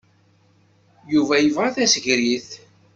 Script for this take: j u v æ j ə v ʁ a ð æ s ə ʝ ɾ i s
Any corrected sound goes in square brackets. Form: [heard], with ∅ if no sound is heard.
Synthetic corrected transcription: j u v æ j ə v ʁ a [θ] æ s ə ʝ ɾ i [θ]